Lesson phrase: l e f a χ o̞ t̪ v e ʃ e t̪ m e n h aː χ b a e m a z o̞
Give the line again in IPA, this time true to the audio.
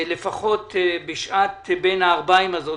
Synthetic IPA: l e f a χ o̞ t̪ b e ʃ a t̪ b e n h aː ʁ b a i m a z o̞